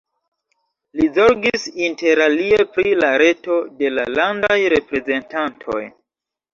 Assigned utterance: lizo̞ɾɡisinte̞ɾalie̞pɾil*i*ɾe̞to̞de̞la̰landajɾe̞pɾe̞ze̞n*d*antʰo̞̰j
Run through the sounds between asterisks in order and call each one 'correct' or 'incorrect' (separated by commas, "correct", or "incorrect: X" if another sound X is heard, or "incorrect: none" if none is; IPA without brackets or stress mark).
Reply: incorrect: a, incorrect: t